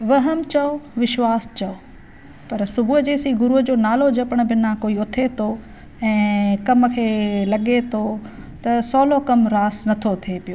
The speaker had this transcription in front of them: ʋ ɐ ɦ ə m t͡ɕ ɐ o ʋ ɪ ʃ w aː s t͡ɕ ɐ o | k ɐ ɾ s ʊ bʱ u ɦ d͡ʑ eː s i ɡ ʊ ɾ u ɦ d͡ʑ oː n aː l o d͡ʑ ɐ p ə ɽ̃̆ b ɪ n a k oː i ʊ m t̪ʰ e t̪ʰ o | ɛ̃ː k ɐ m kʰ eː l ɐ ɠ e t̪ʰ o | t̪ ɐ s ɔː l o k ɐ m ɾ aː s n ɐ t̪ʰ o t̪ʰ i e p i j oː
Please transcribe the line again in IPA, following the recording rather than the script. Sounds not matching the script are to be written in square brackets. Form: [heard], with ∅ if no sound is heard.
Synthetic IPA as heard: ʋ ɐ ɦ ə m t͡ɕ ɐ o ʋ ɪ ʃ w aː s t͡ɕ ɐ o | [p] ɐ ɾ s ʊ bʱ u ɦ d͡ʑ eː s i ɡ ʊ ɾ u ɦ d͡ʑ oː n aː l o d͡ʑ ɐ p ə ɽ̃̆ b ɪ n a k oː i ʊ [∅] t̪ʰ e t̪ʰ o | ɛ̃ː k ɐ m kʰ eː l ɐ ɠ e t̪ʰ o | t̪ ɐ s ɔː l o k ɐ m ɾ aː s n ɐ t̪ʰ o t̪ʰ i e p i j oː

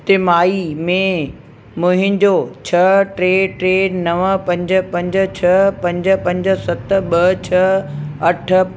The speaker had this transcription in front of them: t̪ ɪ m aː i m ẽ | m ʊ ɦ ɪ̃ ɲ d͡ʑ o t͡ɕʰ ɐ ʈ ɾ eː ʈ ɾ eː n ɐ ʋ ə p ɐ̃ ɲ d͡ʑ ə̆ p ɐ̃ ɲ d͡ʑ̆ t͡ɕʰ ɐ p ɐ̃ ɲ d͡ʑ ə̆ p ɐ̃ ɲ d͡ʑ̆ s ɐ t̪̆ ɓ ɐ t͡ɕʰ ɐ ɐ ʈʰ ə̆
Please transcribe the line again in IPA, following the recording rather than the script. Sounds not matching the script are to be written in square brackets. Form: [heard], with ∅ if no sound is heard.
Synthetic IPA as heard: t̪ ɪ m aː i m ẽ | m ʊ ɦ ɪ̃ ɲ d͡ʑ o t͡ɕʰ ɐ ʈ ɾ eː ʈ ɾ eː n ɐ ʋ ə p ɐ̃ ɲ d͡ʑ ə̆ p ɐ̃ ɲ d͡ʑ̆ t͡ɕʰ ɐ p ɐ̃ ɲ d͡ʑ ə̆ p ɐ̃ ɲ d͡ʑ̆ s ɐ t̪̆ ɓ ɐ t͡ɕʰ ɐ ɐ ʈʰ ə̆

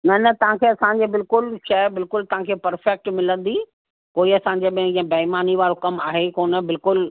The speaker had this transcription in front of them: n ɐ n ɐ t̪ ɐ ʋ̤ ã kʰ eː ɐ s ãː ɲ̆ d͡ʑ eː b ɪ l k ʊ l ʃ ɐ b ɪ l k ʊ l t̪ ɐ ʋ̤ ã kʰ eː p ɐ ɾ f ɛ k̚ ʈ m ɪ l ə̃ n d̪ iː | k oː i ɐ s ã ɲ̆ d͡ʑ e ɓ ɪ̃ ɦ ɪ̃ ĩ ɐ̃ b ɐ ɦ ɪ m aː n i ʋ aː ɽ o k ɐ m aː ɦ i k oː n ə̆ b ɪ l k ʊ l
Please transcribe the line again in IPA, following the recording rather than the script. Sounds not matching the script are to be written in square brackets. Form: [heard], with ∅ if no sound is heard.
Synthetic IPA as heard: n ɐ n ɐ t̪ ɐ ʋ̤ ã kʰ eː ɐ s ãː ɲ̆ d͡ʑ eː b ɪ l k ʊ l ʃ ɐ b ɪ l k ʊ l t̪ ɐ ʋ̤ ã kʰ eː p ɐ ɾ f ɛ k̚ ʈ m ɪ l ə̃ n d̪ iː | k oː i ɐ s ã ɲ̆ d͡ʑ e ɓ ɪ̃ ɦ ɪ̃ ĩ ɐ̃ b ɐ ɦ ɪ m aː n i ʋ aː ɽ o k ɐ m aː ɦ [e] k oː n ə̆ b ɪ l k ʊ l

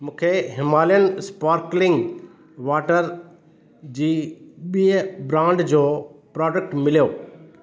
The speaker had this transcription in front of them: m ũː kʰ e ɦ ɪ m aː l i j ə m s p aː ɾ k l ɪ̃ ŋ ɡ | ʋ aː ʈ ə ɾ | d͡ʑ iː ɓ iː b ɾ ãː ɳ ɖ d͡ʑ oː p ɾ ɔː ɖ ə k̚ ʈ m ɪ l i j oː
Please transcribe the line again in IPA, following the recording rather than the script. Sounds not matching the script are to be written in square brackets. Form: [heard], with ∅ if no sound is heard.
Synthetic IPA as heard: m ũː kʰ e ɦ ɪ m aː l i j ə [n] s p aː ɾ k l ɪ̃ ŋ ɡ | ʋ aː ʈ ə ɾ | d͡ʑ iː ɓ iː b ɾ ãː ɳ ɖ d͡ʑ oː p ɾ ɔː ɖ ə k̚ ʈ m ɪ l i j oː

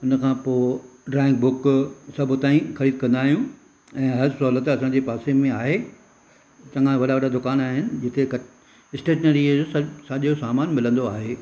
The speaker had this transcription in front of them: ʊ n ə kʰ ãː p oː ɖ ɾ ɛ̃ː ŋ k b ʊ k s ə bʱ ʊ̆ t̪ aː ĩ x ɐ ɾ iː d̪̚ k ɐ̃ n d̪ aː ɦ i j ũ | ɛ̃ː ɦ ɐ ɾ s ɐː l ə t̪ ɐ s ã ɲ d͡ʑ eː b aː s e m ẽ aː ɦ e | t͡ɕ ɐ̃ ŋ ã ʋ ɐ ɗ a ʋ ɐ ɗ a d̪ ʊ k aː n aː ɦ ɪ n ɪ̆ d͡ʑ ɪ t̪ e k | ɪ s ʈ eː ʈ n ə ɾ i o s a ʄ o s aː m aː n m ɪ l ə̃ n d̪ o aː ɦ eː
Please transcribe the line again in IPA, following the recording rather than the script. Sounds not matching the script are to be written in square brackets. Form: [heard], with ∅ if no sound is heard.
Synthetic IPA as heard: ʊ n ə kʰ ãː p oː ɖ ɾ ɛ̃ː ŋ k b ʊ k s [ɐ] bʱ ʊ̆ t̪ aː ĩ x ɐ ɾ iː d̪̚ k ɐ̃ n d̪ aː ɦ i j ũ | ɛ̃ː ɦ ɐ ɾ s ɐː l ə t̪ ɐ s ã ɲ d͡ʑ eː [p] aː s e m ẽ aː ɦ e | t͡ɕ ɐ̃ ŋ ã ʋ ɐ ɗ a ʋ ɐ ɗ a d̪ ʊ k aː n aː ɦ ɪ n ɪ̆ d͡ʑ ɪ t̪ e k | ɪ s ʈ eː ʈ n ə ɾ i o s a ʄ o s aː m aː n m ɪ l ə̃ n d̪ o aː ɦ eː

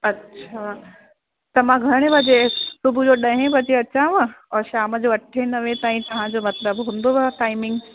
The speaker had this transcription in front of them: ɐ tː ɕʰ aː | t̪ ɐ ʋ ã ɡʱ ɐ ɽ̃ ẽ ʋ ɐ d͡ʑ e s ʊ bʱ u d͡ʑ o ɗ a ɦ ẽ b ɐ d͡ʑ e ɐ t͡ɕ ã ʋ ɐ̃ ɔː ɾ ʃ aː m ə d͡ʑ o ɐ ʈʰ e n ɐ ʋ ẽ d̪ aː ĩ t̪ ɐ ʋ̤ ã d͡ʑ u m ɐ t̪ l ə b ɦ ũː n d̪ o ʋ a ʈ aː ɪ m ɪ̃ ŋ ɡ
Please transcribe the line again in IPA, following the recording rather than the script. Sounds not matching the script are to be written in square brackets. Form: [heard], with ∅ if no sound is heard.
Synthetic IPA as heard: ɐ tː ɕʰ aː | t̪ ɐ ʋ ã ɡʱ ɐ ɽ̃ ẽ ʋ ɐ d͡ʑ e s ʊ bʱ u d͡ʑ o ɗ [ɐ] ɦ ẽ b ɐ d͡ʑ e ɐ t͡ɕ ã ʋ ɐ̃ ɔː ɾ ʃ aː m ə d͡ʑ o ɐ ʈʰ e n ɐ ʋ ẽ [t̪] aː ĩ t̪ ɐ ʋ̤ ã d͡ʑ [o] m ɐ t̪ l ə b ɦ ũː n d̪ o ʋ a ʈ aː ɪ m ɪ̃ ŋ ɡ

